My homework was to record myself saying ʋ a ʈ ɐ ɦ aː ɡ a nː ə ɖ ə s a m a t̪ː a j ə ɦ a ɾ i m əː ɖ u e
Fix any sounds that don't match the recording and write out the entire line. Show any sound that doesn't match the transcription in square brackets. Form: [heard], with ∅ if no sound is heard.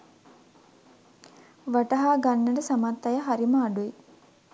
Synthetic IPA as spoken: ʋ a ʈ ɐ ɦ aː ɡ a nː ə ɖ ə s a m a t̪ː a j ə ɦ a ɾ i m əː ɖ u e

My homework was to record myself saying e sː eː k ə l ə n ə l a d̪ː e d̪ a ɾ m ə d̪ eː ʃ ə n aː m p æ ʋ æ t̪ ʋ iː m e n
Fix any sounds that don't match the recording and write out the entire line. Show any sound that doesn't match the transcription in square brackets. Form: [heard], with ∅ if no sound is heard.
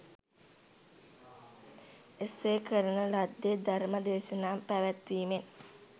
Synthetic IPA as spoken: e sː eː k ə [ɾ] ə n ə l a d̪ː e d̪ a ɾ m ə d̪ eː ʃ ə n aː m p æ ʋ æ t̪ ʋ iː m e n

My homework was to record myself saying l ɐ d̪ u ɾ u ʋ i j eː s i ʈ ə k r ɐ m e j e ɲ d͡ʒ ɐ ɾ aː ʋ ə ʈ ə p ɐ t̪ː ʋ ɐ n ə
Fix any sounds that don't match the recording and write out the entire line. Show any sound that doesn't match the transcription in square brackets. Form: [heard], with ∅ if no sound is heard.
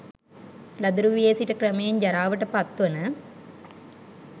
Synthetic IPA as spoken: l ɐ d̪ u ɾ u ʋ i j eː s i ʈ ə k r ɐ m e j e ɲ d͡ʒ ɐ ɾ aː ʋ ə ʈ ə p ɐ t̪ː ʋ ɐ n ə

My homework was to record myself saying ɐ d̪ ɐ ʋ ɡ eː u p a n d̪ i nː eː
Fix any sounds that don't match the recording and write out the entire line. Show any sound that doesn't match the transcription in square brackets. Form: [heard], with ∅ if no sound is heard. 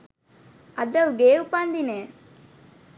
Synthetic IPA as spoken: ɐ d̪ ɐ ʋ ɡ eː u p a n d̪ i [n] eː

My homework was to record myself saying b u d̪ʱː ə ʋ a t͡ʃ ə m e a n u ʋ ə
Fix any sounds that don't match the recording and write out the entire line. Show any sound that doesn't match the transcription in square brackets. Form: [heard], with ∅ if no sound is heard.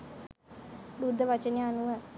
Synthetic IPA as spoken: b u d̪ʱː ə ʋ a t͡ʃ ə [n] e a n u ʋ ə

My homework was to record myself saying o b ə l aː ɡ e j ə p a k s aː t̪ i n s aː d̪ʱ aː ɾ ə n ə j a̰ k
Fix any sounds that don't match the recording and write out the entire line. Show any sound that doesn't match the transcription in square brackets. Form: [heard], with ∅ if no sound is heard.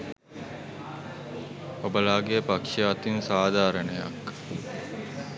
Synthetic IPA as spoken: o b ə l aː ɡ e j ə p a k [ʂ] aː t̪ i n s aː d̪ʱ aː ɾ ə n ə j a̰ k

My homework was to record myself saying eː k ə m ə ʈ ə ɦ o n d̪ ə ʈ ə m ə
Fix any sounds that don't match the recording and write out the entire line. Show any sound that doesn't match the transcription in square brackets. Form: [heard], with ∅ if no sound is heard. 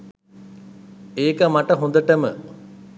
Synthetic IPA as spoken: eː k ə m [a] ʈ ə ɦ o n d̪ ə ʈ ə m ə

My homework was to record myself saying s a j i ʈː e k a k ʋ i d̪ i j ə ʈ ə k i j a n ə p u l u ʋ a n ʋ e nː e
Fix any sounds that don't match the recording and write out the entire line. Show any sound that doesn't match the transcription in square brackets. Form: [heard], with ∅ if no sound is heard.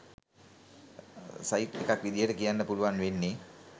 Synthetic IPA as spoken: s a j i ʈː e k a k ʋ i d̪ i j ə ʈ ə k i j a [nː] ə p u l u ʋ a n ʋ e nː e

